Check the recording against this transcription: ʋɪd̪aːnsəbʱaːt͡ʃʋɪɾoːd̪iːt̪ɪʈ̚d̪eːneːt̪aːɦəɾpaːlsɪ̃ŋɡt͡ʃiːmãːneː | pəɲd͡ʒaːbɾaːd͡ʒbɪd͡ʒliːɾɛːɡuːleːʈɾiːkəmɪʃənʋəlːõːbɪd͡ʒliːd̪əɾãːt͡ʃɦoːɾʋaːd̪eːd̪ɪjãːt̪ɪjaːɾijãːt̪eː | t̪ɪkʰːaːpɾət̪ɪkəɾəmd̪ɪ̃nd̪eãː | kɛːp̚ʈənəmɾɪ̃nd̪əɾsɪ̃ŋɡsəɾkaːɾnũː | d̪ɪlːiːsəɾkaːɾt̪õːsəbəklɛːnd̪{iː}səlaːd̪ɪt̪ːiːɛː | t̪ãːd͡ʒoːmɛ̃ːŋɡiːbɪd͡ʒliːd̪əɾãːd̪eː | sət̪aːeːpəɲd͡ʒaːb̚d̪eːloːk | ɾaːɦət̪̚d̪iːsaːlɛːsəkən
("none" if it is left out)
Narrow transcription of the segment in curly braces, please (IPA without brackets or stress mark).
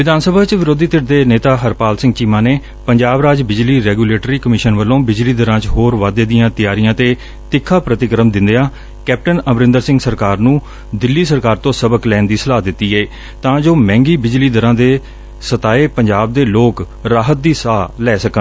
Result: iː